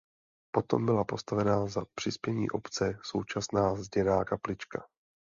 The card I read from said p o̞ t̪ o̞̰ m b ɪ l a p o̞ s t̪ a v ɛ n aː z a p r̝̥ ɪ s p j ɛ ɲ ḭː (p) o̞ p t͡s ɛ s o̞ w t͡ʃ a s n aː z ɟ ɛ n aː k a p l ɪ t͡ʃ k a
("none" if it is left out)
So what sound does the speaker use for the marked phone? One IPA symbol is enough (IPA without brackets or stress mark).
ʔ